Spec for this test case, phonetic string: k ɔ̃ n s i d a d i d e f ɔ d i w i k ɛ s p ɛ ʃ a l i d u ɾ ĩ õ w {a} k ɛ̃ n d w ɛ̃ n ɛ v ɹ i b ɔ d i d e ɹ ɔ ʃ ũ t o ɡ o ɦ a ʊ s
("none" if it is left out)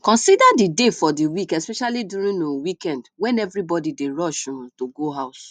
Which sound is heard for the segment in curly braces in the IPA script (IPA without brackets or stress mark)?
i